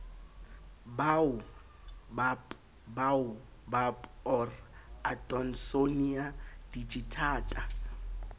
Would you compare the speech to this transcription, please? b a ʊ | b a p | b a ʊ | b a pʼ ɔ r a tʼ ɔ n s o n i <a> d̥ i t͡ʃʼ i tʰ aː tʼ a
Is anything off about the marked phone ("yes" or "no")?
no